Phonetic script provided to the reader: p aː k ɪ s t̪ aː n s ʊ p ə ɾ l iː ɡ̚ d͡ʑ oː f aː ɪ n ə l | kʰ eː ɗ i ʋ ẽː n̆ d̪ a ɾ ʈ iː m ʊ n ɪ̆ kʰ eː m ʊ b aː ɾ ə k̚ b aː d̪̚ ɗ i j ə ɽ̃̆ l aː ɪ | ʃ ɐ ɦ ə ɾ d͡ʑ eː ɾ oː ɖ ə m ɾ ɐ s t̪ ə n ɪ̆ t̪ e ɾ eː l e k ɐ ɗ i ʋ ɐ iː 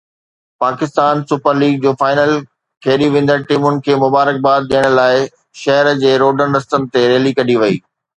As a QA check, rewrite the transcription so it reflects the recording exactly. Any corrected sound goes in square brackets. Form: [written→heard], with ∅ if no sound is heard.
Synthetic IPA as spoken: p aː k ɪ s t̪ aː n s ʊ p ə ɾ l iː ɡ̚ d͡ʑ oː f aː ɪ n ə l | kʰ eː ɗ i ʋ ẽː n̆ d̪ [a→ə] ɾ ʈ iː m ʊ n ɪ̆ kʰ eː m ʊ b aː ɾ ə k̚ b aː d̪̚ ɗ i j ə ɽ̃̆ l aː ɪ | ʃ ɐ ɦ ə ɾ d͡ʑ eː ɾ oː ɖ ə [m→n] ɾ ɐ s t̪ ə n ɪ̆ t̪ e ɾ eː l [e→i] k ɐ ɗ i ʋ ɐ iː